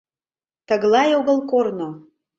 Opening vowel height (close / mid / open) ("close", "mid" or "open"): mid